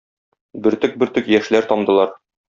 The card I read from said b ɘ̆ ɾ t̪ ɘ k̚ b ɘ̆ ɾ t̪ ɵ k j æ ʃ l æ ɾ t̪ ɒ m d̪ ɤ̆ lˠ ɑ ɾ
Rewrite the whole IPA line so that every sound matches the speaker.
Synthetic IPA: b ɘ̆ ɾ t̪ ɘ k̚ b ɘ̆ ɾ t̪ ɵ k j æ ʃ l æ ɾ t̪ ɒ m d̪ ɤ̆ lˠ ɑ ɾ